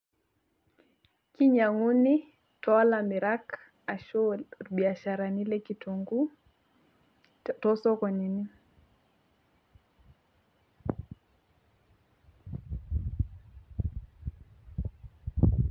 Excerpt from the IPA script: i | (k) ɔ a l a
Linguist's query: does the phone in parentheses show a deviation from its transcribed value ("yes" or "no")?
yes